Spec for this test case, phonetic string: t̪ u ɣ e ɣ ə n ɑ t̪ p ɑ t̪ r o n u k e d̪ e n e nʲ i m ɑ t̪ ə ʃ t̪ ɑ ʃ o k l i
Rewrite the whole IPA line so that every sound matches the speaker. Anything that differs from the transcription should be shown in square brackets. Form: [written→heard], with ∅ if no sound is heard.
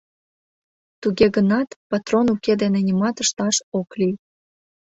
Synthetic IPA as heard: t̪ u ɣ e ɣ ə n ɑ t̪ p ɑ t̪ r o n u k e d̪ e n e nʲ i m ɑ t̪ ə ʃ t̪ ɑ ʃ o k l i